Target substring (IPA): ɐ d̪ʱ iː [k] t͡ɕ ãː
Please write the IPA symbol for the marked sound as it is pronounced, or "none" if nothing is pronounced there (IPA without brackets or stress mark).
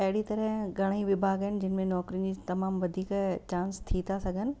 k